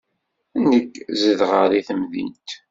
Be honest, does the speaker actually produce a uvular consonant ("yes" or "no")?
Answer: yes